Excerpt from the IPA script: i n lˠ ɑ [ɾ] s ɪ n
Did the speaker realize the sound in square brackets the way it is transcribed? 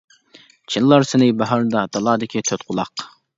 yes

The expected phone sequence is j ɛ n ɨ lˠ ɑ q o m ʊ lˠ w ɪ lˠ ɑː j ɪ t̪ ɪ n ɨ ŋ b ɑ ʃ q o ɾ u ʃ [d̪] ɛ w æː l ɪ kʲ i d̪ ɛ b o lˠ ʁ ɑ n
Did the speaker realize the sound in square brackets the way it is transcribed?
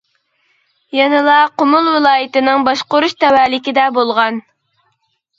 no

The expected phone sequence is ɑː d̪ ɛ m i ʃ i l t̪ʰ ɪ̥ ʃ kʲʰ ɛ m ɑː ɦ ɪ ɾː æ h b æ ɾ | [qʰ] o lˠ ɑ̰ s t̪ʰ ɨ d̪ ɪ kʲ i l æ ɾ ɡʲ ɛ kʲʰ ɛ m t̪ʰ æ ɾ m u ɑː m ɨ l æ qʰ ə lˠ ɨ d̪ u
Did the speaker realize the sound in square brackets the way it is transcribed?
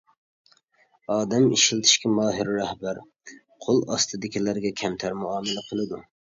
yes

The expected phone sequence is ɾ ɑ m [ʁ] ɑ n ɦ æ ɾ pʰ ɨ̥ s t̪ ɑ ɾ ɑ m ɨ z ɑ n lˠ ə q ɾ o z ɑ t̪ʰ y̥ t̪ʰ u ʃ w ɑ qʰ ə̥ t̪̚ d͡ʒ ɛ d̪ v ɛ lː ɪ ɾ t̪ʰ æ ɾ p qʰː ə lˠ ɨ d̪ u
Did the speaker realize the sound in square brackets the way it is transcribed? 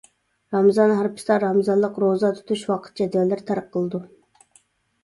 no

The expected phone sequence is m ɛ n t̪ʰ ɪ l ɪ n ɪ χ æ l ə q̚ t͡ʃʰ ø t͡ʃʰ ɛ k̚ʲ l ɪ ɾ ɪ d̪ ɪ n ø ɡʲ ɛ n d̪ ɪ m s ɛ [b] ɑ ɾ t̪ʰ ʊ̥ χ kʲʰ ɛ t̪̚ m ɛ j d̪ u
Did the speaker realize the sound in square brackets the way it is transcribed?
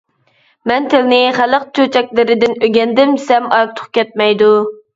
no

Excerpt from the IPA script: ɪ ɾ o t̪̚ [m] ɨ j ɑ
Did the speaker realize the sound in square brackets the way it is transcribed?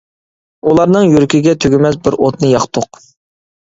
no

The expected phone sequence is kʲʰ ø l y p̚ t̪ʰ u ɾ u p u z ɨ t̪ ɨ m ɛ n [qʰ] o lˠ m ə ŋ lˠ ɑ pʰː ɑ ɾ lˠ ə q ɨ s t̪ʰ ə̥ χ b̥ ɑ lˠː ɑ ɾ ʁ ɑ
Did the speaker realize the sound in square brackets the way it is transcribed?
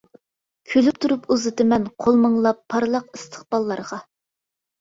yes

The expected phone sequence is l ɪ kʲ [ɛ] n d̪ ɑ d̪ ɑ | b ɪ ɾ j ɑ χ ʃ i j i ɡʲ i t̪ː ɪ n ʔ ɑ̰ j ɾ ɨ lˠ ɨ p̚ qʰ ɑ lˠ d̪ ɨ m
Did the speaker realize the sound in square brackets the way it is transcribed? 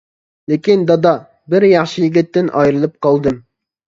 no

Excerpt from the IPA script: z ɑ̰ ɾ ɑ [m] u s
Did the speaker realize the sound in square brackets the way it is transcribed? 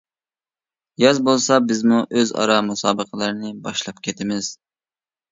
yes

